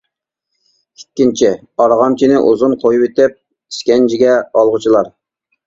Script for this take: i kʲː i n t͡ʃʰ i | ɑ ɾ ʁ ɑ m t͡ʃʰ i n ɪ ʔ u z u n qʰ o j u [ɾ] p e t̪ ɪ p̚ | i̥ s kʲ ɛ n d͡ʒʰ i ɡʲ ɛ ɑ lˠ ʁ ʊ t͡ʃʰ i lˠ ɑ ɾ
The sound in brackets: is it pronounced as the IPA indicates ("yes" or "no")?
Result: no